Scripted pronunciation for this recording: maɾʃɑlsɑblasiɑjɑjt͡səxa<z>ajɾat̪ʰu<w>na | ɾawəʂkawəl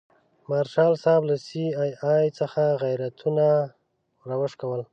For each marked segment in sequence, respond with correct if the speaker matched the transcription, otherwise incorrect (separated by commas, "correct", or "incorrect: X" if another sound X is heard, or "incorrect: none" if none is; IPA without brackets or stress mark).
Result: incorrect: ɣ, incorrect: none